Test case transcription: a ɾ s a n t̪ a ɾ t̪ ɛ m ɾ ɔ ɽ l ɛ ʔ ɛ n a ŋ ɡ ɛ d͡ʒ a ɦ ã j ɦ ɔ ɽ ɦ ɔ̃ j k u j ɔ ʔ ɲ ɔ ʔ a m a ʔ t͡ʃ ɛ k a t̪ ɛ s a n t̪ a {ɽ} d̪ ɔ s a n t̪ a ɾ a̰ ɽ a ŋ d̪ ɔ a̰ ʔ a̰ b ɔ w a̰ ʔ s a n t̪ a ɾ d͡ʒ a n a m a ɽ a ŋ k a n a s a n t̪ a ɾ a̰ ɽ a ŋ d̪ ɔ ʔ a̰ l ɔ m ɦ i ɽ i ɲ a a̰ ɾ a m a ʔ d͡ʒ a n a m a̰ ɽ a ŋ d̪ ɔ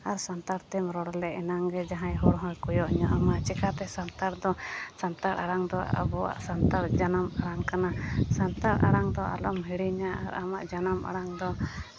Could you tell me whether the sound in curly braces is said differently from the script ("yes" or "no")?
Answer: yes